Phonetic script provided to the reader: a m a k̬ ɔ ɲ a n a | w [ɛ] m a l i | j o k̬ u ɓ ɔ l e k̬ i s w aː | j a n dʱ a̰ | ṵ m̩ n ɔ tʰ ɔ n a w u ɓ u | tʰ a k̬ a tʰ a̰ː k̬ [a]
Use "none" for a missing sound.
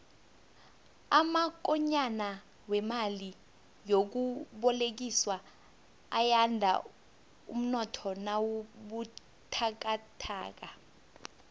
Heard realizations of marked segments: ɛ, a

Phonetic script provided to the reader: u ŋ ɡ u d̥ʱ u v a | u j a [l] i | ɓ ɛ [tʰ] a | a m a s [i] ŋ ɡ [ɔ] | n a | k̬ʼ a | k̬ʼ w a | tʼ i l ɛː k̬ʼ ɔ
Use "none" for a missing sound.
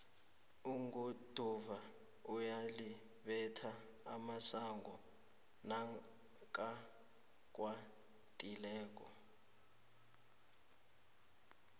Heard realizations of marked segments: l, tʰ, a, ɔ

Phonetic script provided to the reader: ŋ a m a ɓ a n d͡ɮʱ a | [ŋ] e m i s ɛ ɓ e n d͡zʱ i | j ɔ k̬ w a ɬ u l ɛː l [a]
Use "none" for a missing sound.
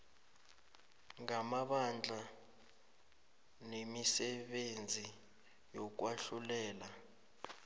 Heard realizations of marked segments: n, a

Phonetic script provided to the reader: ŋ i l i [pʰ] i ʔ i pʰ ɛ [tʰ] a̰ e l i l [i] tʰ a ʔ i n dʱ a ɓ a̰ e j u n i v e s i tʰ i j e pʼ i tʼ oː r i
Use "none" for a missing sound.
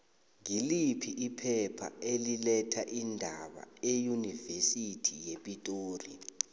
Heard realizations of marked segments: pʰ, pʰ, ɛ

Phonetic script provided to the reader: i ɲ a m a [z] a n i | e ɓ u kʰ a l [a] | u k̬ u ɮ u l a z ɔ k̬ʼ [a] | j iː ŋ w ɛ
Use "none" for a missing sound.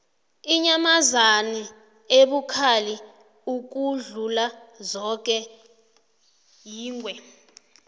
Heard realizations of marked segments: z, i, ɛ

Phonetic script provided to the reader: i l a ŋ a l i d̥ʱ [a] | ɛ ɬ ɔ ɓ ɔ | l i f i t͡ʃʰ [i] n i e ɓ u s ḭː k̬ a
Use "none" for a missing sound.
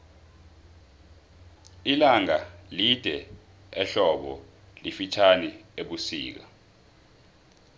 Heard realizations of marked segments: ɛ, a

